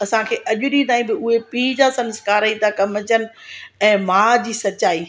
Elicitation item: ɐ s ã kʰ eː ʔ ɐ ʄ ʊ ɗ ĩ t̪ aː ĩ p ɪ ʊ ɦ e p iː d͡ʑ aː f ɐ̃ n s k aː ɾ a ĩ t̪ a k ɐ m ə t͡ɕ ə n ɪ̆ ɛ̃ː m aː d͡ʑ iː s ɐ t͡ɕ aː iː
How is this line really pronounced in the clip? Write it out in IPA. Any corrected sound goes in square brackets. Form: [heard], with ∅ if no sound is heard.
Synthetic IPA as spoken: ɐ s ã kʰ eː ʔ ɐ ʄ ʊ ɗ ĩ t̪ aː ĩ [b] ɪ ʊ ɦ e p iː d͡ʑ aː [s] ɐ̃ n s k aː ɾ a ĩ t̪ a k ɐ m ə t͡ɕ ə n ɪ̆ ɛ̃ː m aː d͡ʑ iː s ɐ t͡ɕ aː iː